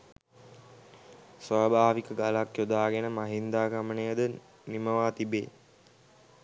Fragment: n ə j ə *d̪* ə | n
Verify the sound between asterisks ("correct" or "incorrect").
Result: correct